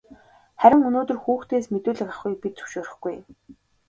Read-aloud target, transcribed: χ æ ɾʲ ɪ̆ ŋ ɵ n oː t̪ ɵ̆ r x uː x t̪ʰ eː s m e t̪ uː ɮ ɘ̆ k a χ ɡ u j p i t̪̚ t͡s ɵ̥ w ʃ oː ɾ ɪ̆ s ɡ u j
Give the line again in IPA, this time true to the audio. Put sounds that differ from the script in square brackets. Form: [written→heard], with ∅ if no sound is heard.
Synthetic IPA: χ æ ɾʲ ɪ̆ ŋ ɵ n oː t̪ ɵ̆ r x uː x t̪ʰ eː s m e t̪ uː ɮ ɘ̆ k a χ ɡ u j p i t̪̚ t͡s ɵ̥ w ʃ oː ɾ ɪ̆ [s→χ] ɡ u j